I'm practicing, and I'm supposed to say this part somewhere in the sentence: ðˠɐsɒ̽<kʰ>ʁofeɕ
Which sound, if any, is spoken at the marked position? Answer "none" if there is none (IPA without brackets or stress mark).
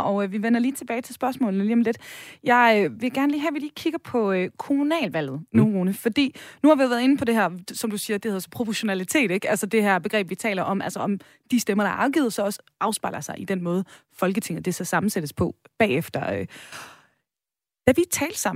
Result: pʰ